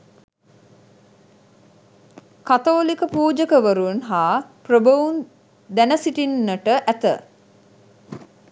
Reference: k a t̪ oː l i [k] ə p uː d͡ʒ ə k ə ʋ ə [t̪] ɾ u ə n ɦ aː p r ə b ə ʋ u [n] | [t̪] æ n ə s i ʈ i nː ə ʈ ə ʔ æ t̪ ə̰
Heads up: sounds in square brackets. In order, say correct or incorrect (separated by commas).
correct, incorrect, correct, incorrect